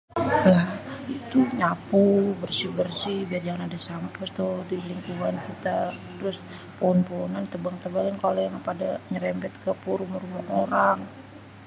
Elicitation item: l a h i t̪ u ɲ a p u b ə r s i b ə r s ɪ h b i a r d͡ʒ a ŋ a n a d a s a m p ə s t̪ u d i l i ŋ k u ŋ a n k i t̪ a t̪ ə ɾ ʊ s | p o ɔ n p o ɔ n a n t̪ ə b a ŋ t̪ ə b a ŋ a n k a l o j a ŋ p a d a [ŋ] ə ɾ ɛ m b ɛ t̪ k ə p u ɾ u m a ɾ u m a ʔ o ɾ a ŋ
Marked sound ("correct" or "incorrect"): incorrect